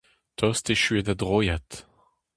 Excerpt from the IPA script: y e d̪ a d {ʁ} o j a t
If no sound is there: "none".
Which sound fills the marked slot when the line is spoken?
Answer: ʁ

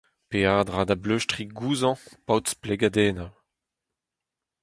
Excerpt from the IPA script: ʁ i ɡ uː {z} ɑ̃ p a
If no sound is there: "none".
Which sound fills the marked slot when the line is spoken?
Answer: z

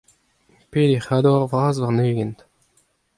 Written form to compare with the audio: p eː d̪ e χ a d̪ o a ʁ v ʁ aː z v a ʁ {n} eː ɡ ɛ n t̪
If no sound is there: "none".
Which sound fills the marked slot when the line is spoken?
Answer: n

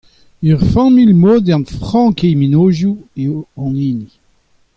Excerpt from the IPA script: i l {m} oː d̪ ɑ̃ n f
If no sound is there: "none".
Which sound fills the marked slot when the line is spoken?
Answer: m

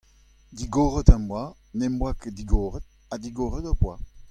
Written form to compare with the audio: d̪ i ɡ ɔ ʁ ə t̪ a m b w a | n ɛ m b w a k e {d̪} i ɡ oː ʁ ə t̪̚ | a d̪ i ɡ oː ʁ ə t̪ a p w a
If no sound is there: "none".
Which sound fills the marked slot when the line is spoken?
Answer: d̪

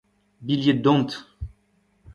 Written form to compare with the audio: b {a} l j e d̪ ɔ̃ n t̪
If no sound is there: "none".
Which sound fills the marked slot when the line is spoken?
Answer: i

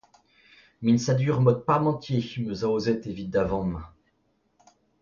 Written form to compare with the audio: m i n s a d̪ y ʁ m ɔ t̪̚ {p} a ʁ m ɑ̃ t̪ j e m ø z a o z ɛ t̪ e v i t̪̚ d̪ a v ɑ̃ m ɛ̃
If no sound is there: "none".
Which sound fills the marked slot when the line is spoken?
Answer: p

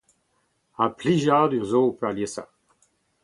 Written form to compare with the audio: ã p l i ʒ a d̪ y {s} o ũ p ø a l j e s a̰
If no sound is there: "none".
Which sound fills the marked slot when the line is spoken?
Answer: z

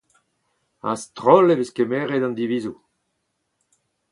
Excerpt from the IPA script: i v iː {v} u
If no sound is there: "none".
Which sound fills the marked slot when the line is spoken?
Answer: z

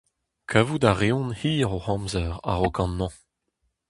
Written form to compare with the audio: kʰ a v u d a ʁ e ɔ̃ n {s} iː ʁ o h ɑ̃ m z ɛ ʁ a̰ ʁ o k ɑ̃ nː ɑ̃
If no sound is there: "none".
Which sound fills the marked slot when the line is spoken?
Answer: h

